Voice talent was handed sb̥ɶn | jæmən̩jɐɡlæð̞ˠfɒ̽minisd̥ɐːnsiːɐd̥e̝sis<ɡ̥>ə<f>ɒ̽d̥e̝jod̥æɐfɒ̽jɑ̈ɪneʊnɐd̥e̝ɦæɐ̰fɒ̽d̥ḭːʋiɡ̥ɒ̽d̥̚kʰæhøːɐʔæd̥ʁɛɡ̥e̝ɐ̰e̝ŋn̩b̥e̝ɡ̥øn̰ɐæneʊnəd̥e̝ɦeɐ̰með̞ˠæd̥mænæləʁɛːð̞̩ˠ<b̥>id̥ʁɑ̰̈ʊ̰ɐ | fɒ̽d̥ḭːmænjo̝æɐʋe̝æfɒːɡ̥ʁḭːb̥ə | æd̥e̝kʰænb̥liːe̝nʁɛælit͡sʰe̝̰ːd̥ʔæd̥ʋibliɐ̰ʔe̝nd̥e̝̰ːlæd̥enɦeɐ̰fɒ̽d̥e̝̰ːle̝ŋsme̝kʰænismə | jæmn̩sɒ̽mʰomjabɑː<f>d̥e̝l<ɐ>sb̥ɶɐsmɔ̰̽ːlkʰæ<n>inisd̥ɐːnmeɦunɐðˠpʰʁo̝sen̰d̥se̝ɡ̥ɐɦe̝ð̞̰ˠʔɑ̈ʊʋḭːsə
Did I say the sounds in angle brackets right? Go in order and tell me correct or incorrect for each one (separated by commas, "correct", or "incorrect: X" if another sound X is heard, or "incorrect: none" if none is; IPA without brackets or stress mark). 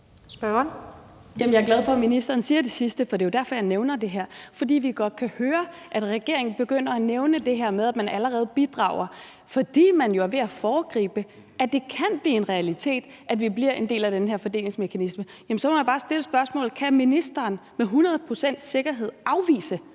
incorrect: d̥, correct, correct, incorrect: s, incorrect: ə, incorrect: m